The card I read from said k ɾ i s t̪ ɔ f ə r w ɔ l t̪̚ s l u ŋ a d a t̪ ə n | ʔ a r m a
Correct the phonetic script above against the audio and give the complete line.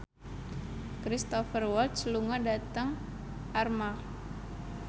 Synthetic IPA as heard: k ɾ i s t̪ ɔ f ə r w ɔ l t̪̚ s l u ŋ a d a t̪ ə ŋ | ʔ a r m a